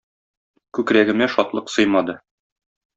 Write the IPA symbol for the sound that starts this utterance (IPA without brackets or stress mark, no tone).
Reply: k